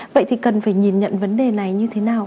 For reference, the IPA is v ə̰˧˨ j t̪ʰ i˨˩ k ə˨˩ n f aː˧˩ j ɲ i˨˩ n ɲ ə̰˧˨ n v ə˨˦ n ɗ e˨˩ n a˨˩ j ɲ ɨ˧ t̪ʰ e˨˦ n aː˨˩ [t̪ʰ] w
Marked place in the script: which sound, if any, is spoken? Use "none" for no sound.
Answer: none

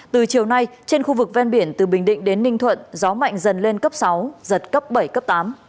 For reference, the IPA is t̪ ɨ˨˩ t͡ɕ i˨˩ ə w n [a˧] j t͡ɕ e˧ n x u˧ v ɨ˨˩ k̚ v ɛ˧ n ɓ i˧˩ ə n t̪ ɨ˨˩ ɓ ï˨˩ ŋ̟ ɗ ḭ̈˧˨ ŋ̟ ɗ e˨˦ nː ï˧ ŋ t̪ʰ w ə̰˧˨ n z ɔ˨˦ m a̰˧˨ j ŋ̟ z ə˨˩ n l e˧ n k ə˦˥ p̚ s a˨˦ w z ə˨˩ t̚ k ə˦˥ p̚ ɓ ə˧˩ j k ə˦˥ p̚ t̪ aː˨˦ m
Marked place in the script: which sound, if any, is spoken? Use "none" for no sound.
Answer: a˧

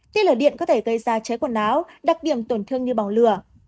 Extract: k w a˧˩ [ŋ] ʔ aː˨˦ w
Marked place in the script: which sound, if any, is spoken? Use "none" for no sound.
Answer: n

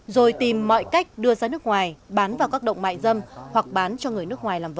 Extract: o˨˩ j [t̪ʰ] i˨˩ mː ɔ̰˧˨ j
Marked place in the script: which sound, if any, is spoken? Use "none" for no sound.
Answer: t̪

